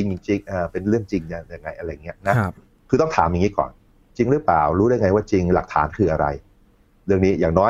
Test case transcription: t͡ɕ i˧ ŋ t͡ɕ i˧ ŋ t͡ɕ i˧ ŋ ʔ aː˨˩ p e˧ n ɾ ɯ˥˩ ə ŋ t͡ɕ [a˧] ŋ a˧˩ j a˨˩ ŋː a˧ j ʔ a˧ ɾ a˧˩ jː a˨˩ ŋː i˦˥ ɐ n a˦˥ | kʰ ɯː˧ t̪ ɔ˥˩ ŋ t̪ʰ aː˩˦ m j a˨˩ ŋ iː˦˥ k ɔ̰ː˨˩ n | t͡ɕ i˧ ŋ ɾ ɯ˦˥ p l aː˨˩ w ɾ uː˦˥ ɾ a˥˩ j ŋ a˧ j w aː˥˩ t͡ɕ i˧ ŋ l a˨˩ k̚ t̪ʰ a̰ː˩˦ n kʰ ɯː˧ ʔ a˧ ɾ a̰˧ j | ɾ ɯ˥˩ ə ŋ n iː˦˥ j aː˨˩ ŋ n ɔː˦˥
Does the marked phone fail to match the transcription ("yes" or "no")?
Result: yes